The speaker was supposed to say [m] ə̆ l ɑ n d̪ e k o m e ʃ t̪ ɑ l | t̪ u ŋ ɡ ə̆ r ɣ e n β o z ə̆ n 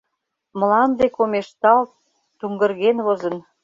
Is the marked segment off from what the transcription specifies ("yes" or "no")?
no